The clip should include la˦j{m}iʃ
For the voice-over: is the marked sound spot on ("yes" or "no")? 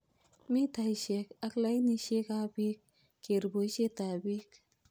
no